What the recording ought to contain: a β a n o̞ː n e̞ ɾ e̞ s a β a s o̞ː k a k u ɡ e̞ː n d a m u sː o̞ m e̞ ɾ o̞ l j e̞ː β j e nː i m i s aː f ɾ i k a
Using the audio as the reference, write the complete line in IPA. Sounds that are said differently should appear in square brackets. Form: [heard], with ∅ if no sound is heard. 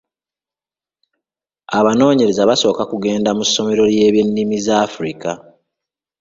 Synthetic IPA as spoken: a β a n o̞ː [ɲ] e̞ ɾ e̞ [z] a β a s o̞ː k a k u ɡ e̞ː n d a m u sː o̞ m e̞ ɾ o̞ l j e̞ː β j e nː i m i [z] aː f ɾ i k a